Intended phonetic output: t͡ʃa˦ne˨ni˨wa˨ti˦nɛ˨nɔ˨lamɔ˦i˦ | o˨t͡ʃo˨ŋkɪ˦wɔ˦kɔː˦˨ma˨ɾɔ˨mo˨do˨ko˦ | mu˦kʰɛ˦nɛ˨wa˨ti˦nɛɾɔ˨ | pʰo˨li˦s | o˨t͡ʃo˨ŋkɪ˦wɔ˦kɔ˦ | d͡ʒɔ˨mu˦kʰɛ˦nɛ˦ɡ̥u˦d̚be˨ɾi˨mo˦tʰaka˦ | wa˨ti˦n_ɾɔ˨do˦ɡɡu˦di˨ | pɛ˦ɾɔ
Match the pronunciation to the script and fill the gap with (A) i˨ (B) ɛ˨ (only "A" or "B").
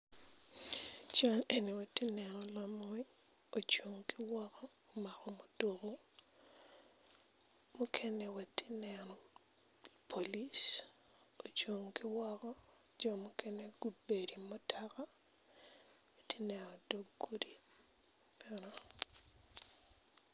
B